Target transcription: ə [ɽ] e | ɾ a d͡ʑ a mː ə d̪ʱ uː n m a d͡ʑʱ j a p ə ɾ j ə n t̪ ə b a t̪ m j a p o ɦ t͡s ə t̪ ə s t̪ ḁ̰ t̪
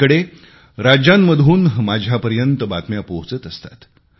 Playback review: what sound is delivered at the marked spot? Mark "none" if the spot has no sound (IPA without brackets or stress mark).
ɽ